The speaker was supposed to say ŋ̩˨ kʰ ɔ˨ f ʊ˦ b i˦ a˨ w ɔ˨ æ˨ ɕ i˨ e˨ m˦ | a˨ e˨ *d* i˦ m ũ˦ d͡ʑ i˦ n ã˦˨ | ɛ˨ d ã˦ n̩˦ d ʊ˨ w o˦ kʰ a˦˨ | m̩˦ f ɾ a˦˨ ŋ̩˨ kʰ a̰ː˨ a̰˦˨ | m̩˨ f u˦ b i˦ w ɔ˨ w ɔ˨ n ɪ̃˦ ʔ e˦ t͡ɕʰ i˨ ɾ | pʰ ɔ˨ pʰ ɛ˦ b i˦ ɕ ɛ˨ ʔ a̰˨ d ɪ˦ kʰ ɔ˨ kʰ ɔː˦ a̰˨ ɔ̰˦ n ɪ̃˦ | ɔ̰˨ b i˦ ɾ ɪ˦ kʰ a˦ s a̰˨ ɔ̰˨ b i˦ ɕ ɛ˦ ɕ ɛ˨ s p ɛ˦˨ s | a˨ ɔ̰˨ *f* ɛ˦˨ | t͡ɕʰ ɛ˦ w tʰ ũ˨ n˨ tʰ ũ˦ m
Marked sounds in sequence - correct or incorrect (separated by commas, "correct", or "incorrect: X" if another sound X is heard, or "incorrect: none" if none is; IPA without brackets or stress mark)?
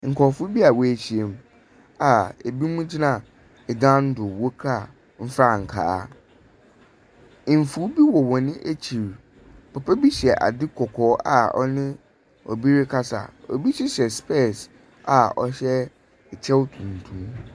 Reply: incorrect: b, incorrect: ɕ